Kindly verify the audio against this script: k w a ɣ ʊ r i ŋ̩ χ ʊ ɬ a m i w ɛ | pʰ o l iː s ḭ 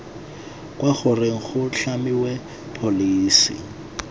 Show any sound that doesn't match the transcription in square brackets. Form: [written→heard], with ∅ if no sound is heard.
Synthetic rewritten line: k w a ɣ ʊ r [i→e] ŋ̩ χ ʊ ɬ a m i w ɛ | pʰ o l iː s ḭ